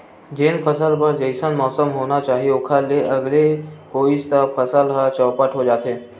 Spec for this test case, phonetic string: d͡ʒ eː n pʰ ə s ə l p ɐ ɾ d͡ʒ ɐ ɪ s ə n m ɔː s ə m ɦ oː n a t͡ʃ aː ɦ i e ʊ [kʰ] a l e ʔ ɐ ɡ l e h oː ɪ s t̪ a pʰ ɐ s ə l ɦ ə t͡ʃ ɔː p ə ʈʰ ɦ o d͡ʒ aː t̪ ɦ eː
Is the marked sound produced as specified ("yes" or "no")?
yes